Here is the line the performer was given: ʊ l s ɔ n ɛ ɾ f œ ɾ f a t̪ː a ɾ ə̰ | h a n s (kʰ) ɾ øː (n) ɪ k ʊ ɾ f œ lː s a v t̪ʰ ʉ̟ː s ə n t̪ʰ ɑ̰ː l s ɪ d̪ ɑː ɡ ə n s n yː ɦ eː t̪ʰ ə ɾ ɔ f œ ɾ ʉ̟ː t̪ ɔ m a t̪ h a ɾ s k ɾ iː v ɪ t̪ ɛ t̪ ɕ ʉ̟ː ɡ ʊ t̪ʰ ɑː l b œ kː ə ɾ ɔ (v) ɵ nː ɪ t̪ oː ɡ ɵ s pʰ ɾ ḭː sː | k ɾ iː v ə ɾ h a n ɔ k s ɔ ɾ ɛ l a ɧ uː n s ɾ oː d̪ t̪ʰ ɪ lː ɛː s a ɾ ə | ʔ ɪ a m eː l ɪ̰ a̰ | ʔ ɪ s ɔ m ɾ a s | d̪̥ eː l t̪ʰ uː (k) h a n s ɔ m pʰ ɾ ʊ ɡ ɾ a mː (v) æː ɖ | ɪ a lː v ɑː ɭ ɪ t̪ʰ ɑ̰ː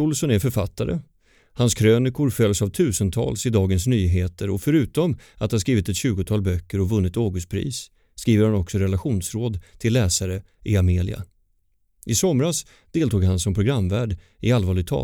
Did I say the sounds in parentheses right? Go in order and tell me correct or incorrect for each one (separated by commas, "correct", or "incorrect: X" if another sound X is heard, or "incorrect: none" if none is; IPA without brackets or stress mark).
correct, correct, correct, incorrect: ɡ, correct